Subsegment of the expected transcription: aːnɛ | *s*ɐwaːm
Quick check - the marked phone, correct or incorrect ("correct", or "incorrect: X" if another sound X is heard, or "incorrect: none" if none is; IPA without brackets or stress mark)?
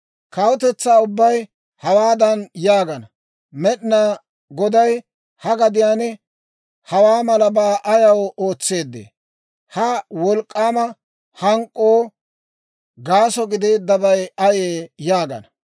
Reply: incorrect: h